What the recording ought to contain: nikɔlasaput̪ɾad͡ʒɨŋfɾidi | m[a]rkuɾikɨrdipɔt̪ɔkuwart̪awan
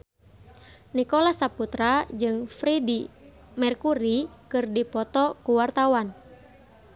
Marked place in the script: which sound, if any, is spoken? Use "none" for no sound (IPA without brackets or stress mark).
ɛ